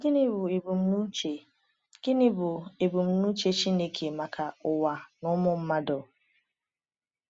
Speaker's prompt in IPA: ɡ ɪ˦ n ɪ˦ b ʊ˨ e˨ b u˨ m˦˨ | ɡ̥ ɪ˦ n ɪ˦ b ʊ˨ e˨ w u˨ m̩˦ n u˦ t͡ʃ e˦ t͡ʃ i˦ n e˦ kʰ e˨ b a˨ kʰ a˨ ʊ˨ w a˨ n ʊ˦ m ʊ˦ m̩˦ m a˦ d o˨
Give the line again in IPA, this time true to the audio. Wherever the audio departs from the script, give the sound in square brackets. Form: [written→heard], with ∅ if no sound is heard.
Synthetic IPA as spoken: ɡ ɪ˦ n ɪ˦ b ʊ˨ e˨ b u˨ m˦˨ | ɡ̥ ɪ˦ n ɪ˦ b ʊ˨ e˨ [w→b] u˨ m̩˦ n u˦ t͡ʃ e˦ t͡ʃ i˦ n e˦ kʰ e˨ [b→m] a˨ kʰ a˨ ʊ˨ w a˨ n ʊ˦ m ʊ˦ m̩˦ m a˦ d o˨